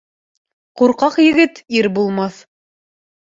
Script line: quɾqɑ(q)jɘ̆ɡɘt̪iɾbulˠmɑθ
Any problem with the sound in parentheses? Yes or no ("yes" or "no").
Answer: no